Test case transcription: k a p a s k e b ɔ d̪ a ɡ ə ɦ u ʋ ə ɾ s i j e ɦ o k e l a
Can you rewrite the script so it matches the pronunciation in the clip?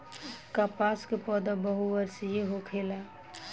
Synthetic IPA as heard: k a p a s k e p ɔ d̪ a b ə ɦ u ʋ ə ɾ s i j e ɦ o kʰ e l a